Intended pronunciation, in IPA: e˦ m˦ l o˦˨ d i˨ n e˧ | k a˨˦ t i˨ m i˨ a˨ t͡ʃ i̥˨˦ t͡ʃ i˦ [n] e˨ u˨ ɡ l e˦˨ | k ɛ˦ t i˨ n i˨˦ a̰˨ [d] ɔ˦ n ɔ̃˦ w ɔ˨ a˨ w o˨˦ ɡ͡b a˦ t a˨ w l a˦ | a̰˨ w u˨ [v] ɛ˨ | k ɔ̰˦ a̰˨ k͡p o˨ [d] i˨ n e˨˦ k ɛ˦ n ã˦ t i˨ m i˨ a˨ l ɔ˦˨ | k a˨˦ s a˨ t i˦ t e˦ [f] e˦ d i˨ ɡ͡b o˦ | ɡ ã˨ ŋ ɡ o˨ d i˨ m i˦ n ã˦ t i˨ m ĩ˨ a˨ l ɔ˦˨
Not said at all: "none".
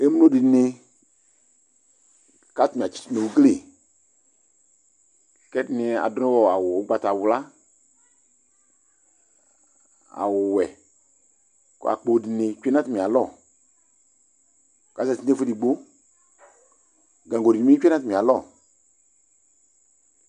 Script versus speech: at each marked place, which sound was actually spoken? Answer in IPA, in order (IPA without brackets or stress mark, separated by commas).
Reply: n, d, w, d, f